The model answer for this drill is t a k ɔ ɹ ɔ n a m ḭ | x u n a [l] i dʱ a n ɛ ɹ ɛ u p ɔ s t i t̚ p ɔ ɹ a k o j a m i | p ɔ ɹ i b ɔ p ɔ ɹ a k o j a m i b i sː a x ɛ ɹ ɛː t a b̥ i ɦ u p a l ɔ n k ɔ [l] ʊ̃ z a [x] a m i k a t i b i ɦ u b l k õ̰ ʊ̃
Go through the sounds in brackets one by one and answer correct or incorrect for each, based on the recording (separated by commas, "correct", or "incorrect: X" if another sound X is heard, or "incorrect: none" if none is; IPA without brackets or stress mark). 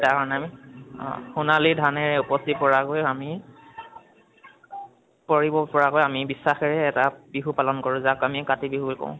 correct, incorrect: ɹ, incorrect: k